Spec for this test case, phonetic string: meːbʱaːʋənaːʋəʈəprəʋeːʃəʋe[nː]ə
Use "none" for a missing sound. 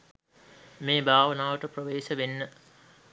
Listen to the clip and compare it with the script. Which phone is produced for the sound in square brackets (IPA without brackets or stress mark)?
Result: nː